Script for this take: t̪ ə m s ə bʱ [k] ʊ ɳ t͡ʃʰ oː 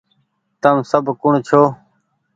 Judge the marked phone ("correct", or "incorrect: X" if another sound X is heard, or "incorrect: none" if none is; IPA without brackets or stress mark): correct